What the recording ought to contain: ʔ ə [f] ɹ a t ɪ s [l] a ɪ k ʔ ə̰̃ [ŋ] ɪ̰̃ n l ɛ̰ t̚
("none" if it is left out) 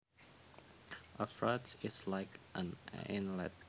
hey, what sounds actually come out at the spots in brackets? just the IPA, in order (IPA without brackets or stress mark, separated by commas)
f, l, n